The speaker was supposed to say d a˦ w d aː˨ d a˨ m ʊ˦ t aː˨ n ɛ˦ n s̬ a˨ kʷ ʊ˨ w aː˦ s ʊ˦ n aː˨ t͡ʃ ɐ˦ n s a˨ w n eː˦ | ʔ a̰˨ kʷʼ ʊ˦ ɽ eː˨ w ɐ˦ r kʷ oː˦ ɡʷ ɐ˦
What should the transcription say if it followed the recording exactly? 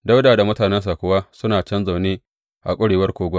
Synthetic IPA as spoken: d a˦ w d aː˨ d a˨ m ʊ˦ t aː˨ n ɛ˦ n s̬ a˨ kʷ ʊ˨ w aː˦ s ʊ˦ n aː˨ t͡ʃ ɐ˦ n z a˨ w n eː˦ | ʔ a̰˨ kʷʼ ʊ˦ ɽ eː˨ w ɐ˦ r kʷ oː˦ ɡʷ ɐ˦